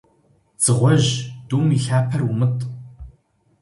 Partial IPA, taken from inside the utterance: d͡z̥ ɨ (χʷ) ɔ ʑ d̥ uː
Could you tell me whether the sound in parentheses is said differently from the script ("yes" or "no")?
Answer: yes